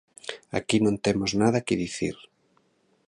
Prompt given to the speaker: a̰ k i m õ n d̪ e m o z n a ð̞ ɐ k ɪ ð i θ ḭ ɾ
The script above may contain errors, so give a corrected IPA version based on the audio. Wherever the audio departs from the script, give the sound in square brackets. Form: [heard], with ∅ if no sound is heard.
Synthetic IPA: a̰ k i [n] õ n [t̪] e m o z n a ð̞ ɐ k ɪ ð i θ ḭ ɾ